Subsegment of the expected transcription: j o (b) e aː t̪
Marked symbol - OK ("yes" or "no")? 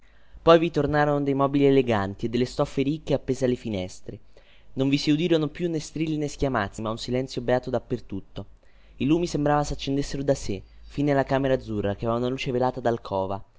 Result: yes